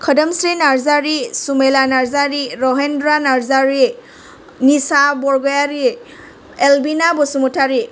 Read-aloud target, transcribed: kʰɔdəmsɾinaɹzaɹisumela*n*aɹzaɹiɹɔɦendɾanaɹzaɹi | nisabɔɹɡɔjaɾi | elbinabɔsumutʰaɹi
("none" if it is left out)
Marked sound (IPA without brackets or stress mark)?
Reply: n